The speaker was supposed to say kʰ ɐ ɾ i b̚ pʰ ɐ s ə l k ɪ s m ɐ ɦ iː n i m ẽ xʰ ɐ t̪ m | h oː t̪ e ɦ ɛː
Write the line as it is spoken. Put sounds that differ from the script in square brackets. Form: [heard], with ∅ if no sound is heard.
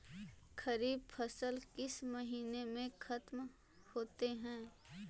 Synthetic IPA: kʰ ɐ ɾ [iː] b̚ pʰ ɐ s ə l k ɪ s m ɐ ɦ iː n [e] m ẽ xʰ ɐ t̪ m | h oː t̪ e ɦ [ɛ̃ː]